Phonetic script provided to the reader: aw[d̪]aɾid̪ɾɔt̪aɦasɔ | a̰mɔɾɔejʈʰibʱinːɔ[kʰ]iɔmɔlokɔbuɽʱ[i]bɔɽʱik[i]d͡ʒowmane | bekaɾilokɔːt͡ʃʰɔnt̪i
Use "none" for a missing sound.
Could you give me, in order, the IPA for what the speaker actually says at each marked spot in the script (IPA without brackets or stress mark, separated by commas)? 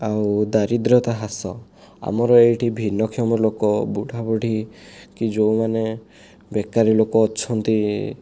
d̪, kʰ, a, i